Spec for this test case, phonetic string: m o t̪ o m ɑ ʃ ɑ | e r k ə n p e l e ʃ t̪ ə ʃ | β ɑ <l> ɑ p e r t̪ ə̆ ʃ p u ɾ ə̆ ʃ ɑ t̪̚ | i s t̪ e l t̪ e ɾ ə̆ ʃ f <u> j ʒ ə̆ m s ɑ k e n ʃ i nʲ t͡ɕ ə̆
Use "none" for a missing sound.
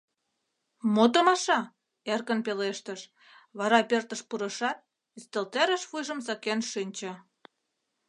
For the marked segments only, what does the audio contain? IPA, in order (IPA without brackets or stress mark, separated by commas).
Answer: ɾ, u